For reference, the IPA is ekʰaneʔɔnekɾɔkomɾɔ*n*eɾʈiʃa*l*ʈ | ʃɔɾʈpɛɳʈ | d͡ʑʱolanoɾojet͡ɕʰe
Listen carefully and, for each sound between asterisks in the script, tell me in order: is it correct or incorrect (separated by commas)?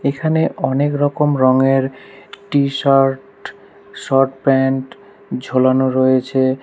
incorrect, incorrect